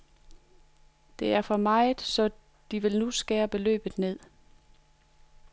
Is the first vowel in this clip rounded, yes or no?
no